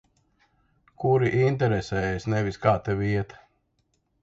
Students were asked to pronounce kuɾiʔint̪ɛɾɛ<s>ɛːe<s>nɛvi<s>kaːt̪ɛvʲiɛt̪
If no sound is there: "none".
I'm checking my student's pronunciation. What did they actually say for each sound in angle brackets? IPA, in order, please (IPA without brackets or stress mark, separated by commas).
s, s, s